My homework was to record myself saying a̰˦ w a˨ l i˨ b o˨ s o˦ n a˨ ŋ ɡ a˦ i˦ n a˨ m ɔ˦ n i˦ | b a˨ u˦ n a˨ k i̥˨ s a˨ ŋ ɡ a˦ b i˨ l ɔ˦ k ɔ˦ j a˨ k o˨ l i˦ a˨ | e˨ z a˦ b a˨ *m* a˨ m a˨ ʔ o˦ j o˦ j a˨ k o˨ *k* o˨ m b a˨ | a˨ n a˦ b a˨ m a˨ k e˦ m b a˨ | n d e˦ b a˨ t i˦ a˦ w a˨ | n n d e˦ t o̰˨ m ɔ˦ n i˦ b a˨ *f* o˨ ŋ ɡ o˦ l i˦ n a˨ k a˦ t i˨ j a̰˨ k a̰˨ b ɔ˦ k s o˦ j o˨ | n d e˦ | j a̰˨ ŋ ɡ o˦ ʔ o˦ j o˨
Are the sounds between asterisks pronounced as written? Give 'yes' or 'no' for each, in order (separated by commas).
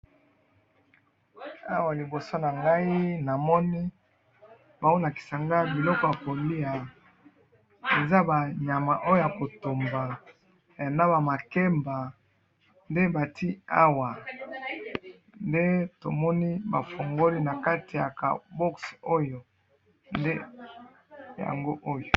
no, no, yes